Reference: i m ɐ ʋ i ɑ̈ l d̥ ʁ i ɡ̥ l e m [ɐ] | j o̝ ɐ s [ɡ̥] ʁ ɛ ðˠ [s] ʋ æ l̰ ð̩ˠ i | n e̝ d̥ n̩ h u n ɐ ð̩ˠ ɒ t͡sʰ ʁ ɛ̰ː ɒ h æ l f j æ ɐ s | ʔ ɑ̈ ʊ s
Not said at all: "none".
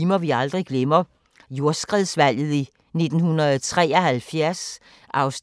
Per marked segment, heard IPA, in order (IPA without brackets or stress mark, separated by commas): ɐ, ɡ̥, s